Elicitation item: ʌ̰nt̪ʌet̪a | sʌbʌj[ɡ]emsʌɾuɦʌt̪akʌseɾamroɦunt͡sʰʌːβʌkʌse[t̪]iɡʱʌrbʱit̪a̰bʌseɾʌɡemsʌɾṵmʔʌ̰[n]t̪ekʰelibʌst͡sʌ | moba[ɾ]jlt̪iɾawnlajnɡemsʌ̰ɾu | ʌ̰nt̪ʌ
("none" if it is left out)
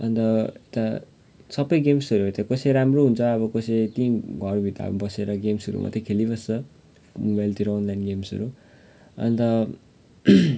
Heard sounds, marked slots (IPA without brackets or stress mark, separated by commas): ɡ, t̪, none, none